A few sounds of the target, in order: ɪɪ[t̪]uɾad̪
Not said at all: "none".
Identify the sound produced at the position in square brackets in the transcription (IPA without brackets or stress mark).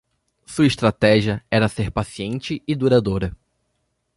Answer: d̪